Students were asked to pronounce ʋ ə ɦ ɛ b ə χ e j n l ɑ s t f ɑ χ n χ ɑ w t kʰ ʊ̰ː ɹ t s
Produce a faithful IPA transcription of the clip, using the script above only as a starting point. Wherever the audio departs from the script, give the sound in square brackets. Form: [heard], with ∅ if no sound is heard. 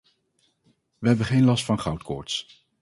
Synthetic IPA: ʋ ə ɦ ɛ b ə χ e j n l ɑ s t f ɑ [∅] n χ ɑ w t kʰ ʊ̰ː ɹ t s